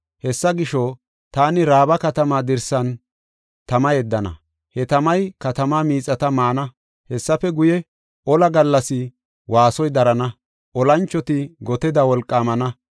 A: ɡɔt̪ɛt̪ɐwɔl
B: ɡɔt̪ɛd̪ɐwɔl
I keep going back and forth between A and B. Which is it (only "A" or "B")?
B